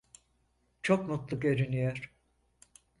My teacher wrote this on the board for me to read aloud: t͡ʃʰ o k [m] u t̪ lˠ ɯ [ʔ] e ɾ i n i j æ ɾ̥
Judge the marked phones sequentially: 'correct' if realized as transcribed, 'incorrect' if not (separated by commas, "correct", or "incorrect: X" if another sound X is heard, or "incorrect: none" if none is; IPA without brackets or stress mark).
correct, incorrect: k